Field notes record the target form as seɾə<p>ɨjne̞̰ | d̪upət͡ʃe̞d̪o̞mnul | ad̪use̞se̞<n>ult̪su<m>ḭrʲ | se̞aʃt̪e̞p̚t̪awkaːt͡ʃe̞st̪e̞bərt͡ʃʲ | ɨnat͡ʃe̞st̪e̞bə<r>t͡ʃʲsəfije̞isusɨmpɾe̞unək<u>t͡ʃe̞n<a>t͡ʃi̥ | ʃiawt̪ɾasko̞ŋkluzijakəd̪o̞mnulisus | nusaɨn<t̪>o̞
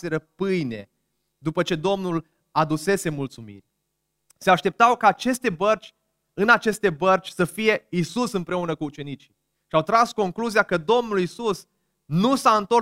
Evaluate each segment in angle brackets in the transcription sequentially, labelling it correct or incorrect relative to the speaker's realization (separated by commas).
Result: correct, incorrect, correct, correct, incorrect, incorrect, correct